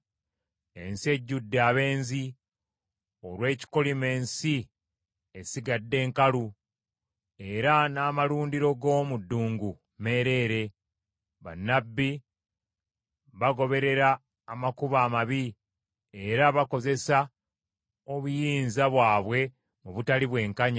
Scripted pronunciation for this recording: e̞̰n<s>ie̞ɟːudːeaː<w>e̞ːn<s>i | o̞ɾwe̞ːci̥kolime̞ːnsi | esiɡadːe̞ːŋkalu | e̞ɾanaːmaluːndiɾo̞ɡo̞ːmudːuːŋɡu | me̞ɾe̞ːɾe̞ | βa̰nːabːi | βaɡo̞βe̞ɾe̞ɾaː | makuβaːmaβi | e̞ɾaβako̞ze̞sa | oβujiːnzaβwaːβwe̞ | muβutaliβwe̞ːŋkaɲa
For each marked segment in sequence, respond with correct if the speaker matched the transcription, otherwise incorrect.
correct, incorrect, incorrect

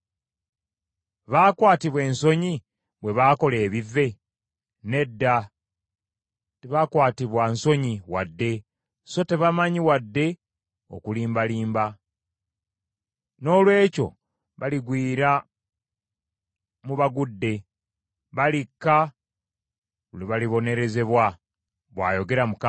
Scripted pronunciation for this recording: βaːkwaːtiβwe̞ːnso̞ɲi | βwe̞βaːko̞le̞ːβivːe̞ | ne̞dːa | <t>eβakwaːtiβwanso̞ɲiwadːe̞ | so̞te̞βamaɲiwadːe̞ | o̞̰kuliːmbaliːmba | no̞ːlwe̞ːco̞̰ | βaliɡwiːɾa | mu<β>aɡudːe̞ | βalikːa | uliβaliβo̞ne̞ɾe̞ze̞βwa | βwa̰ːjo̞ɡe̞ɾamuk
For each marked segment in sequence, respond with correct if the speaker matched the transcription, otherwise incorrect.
correct, correct

